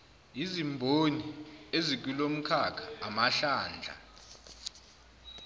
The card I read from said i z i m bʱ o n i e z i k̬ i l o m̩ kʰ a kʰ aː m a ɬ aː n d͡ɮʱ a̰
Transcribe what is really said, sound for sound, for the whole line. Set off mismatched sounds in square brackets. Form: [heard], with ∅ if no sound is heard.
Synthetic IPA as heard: i z i m bʱ o n i e z i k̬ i l o m̩ kʰ a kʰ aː m a ɬ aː n d͡ɮʱ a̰